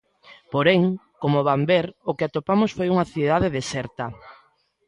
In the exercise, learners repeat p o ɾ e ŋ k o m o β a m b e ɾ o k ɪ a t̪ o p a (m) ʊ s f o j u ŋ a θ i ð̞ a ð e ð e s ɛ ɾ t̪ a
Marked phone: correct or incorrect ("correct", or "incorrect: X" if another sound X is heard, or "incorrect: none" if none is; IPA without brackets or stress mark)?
correct